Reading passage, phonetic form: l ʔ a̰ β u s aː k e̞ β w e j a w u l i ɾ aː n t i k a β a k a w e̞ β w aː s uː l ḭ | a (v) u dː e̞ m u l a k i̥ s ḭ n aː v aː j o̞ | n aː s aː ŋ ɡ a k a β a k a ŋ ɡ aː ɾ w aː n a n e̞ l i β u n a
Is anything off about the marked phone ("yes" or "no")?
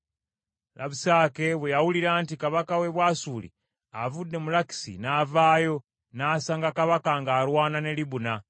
no